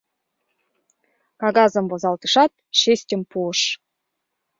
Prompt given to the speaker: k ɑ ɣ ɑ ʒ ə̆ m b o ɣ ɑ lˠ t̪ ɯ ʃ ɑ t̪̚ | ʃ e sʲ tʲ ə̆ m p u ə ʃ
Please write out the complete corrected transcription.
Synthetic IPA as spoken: k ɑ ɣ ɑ z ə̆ m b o z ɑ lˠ t̪ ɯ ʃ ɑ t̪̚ | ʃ e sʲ tʲ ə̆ m p u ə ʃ